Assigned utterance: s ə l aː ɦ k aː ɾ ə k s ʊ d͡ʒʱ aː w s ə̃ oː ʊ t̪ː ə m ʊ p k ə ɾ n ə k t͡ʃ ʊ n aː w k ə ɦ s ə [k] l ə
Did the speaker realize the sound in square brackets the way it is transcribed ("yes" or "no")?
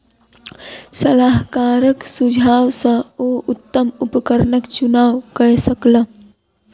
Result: yes